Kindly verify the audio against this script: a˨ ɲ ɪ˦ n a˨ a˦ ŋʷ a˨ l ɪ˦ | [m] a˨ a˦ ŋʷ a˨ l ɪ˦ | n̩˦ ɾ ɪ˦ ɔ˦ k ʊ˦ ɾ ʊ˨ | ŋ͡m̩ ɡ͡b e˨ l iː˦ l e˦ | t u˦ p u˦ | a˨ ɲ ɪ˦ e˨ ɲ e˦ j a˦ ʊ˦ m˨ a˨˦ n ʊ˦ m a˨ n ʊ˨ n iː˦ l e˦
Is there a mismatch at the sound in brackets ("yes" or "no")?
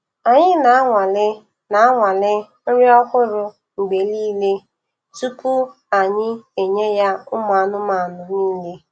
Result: yes